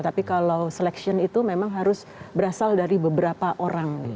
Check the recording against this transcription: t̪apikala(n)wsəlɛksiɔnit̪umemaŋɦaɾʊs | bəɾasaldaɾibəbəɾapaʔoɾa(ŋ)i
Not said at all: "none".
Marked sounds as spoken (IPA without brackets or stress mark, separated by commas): none, ŋ